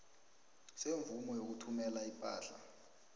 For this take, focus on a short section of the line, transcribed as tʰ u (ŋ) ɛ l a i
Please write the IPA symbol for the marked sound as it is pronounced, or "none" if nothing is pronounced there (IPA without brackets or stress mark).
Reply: m